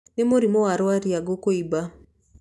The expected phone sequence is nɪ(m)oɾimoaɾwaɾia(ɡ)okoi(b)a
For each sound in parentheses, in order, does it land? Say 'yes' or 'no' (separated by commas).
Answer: yes, yes, yes